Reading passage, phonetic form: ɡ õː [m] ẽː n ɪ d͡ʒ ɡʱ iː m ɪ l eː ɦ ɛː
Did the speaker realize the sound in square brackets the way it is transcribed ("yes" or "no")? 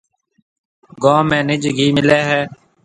yes